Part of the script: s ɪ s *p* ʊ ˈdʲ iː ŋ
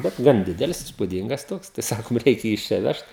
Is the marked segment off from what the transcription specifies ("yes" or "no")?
no